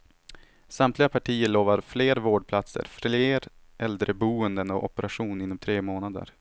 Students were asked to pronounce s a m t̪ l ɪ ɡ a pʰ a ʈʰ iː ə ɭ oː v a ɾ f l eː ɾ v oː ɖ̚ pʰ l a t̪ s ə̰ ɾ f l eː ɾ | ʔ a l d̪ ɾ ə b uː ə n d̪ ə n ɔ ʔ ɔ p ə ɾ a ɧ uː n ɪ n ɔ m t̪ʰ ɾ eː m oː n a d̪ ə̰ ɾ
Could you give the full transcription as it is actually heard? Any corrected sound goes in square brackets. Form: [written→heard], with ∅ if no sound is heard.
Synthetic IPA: s a m t̪ l ɪ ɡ a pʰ a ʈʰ iː ə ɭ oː v a ɾ f l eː ɾ v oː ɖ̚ pʰ l a t̪ s ə̰ ɾ f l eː ɾ | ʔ [a→ɛ] l d̪ ɾ ə b uː ə n d̪ ə n ɔ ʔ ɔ p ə ɾ a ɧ uː n ɪ [n→nː] ɔ m t̪ʰ ɾ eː m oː n a d̪ ə̰ ɾ